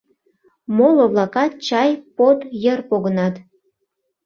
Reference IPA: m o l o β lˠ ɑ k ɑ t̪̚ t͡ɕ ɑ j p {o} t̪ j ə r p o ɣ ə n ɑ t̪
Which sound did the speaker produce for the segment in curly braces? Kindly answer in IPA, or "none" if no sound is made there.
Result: o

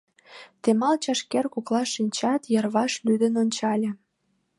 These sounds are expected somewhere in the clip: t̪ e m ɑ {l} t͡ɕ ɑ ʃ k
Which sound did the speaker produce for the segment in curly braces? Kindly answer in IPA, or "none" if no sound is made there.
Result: l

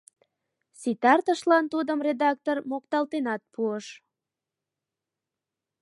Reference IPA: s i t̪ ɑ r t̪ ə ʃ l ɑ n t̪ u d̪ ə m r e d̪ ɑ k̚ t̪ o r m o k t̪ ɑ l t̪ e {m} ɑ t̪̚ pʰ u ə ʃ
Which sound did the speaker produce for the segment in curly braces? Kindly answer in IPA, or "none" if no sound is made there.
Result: n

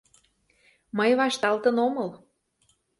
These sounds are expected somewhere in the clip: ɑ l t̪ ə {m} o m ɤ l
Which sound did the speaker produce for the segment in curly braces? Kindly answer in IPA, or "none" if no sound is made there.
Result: n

